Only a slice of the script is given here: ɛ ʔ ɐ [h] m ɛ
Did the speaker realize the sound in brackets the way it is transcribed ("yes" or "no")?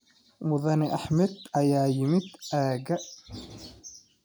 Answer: no